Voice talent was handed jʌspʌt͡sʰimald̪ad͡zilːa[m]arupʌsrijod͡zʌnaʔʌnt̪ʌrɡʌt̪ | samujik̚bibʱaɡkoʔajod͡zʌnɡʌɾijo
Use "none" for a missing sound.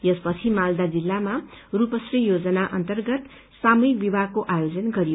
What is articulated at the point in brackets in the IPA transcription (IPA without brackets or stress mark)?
m